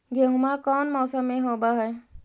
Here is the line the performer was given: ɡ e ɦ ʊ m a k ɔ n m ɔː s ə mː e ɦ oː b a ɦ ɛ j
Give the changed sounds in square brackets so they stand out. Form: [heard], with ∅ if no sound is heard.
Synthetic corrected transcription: ɡ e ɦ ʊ m a k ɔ n m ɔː s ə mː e ɦ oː b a ɦ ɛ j